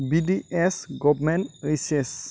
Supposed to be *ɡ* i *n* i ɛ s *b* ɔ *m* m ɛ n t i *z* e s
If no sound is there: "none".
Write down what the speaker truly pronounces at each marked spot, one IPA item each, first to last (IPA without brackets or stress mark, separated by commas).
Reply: b, d, ɡ, b, s